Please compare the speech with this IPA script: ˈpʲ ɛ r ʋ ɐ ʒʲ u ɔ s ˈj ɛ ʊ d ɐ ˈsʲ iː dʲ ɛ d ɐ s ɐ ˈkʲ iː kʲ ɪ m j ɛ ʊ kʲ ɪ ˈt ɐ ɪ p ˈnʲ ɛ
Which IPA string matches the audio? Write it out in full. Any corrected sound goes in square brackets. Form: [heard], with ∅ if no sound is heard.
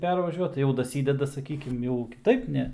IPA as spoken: ˈpʲ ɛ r ʋ ɐ ʒʲ u ɔ [t] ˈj ɛ ʊ d ɐ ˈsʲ iː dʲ ɛ d ɐ s ɐ ˈkʲ iː kʲ ɪ m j ɛ ʊ kʲ ɪ ˈt ɐ ɪ p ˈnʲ ɛ

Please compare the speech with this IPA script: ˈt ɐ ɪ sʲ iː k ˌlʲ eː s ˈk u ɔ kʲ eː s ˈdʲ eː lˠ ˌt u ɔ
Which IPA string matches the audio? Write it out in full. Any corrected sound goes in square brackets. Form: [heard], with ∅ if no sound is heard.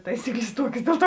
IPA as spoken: ˈt ɐ ɪ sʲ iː k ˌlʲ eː s [ˈt] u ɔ kʲ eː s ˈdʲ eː lˠ ˌt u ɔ

